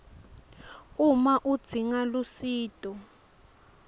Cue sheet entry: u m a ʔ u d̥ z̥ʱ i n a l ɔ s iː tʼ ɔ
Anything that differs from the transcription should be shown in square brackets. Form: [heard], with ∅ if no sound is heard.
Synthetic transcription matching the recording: u m a ʔ u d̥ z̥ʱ i [ŋ] a l [u] s iː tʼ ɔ